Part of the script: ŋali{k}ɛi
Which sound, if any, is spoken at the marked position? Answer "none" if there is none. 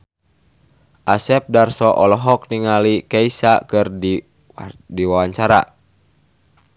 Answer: k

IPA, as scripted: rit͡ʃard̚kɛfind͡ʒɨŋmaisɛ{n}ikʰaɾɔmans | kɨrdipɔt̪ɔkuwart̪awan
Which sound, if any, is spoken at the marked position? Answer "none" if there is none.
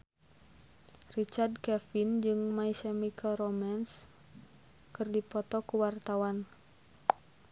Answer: m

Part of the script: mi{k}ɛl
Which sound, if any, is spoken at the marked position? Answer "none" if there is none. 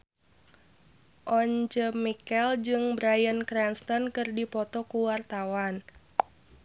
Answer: k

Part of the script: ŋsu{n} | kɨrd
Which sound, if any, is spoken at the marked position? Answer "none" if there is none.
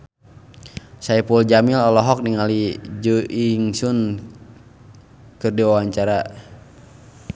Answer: n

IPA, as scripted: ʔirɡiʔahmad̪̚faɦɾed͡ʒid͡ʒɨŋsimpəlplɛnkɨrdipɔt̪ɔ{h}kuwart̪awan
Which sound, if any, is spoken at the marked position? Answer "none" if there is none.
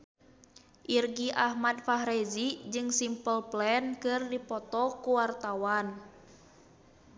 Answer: none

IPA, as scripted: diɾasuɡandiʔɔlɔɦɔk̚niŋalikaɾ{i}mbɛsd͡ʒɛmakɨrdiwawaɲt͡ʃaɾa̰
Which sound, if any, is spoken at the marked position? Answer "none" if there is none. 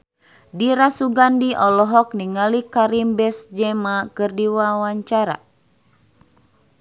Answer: i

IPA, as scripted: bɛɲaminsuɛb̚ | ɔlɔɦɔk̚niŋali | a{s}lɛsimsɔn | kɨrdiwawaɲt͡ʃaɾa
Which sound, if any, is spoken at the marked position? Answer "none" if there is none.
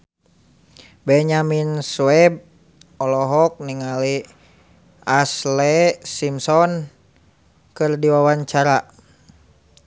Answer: s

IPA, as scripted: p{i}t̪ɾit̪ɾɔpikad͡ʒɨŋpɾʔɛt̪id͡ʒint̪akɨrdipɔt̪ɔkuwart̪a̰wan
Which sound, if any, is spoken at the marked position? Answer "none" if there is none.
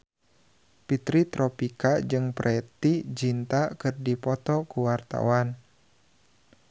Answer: i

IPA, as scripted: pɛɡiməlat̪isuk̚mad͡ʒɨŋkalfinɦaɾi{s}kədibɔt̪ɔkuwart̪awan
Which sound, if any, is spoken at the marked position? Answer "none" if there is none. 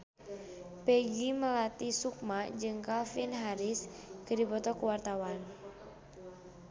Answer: s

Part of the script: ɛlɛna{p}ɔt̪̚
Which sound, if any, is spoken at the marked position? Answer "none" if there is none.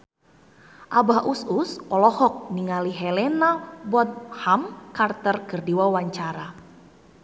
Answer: b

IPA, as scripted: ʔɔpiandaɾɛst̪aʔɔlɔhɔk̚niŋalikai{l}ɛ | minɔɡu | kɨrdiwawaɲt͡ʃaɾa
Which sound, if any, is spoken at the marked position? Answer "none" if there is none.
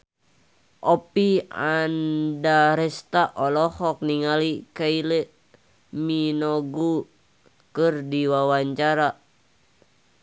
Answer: l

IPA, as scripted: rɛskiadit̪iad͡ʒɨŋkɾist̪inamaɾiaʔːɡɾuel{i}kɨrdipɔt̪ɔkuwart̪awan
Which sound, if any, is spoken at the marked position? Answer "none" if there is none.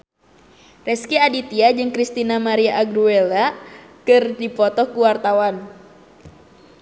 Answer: a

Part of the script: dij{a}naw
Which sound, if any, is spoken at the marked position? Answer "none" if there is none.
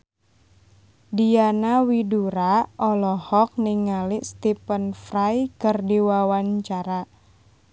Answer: a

